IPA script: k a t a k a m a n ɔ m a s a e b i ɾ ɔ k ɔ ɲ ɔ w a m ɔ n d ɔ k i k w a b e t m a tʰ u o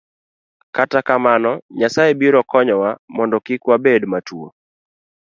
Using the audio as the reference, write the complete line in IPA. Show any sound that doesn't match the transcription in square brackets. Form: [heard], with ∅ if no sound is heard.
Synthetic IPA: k a t a k a m a n ɔ [ɲ] a s a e b i ɾ ɔ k ɔ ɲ ɔ w a m ɔ n d ɔ k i k w a b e [d] m a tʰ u o